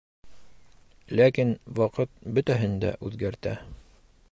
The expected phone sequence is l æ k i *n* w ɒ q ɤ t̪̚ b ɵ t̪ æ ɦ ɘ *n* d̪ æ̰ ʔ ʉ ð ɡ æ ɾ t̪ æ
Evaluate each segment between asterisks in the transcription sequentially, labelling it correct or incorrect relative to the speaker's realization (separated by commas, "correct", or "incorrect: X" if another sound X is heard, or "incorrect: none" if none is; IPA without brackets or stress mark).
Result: correct, correct